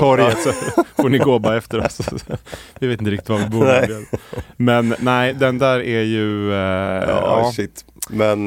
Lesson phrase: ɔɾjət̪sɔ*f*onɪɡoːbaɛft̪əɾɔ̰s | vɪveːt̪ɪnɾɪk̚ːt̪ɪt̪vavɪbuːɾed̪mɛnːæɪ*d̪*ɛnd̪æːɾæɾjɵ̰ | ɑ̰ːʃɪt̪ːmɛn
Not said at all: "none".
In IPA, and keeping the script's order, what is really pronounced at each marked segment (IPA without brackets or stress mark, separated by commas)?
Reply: f, d̪